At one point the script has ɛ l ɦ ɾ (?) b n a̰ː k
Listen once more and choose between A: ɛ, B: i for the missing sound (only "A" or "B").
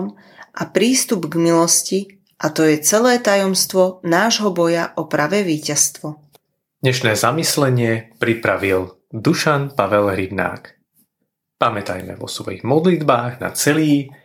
B